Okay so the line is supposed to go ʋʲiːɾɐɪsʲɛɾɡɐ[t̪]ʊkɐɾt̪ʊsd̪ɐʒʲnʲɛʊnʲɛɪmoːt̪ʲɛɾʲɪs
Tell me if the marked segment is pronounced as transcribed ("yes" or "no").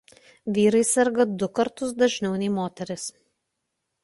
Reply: no